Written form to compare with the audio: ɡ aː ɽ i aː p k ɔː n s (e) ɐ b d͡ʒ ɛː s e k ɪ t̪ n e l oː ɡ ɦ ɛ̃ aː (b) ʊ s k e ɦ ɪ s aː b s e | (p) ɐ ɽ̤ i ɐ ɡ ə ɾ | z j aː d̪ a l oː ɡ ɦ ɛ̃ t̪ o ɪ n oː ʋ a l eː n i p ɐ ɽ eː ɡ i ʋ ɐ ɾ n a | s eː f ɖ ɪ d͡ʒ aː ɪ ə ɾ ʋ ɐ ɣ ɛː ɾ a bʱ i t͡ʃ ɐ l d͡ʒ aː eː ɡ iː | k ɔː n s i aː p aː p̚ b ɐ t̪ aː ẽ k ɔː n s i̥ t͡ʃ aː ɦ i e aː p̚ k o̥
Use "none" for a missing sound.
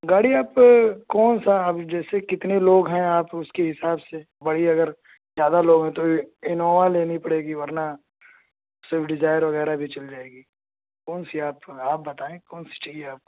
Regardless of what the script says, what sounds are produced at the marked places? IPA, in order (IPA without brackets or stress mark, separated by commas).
a, p, b